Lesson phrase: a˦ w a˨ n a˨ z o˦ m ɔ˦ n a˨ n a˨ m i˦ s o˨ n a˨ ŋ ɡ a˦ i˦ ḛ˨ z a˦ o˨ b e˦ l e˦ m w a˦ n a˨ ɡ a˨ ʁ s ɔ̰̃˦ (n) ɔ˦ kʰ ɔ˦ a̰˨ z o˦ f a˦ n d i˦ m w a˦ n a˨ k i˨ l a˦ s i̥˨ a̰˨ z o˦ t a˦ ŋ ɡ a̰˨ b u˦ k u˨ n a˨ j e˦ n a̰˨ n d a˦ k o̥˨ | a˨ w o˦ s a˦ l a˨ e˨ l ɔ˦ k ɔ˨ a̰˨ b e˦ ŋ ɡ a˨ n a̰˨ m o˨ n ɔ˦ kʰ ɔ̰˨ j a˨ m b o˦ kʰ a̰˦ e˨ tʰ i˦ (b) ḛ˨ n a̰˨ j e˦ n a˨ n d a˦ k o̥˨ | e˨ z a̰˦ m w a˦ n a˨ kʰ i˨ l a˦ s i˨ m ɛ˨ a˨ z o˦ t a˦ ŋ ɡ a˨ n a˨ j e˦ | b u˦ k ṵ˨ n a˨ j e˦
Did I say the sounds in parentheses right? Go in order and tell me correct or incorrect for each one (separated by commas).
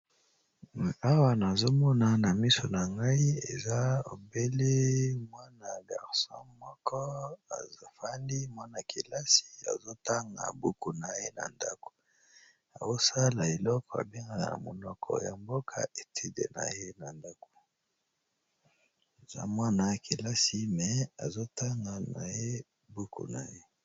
incorrect, incorrect